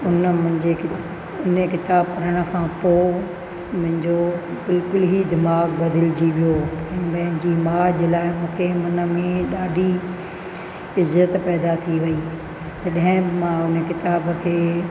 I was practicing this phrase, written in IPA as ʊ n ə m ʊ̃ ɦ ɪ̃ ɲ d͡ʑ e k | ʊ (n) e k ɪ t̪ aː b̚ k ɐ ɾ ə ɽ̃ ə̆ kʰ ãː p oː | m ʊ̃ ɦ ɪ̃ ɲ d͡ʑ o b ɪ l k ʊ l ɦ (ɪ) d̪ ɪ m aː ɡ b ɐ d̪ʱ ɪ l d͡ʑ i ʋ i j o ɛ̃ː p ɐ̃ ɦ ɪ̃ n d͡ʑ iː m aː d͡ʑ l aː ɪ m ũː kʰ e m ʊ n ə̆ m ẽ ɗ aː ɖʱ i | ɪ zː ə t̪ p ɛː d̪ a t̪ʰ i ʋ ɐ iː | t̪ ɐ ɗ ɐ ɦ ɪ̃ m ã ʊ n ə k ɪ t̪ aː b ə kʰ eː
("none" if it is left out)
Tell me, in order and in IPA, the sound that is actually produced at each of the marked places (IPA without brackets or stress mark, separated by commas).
n, i